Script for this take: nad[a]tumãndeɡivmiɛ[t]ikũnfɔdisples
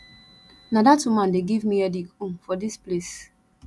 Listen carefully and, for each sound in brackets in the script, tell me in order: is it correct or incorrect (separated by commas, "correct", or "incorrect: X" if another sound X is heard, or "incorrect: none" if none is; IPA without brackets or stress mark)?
correct, incorrect: d